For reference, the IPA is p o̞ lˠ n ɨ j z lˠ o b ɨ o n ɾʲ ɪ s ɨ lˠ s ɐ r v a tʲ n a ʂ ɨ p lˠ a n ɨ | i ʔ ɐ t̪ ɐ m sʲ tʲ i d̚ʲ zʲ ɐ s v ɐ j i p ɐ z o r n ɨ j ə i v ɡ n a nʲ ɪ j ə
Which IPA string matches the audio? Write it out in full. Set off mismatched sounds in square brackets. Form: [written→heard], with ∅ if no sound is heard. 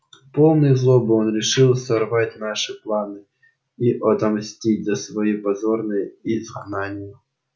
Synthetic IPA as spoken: p o̞ lˠ n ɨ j z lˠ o b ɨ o n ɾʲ ɪ [s→ʂ] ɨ lˠ s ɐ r v a tʲ n a ʂ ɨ p lˠ a n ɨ | i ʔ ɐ t̪ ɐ m sʲ tʲ i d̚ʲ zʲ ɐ s v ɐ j i p ɐ z o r n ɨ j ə i [v→z] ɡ n a nʲ ɪ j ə